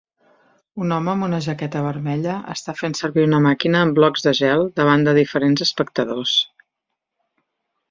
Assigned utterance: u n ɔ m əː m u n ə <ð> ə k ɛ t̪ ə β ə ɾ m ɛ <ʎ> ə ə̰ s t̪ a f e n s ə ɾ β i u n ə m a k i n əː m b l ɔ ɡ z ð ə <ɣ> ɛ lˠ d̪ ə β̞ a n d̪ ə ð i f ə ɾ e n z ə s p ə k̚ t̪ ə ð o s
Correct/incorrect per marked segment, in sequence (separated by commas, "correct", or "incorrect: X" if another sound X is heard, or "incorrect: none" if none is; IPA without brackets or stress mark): incorrect: ʒ, correct, incorrect: ʒ